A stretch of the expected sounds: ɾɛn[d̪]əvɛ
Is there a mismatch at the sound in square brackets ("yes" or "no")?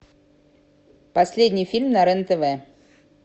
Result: yes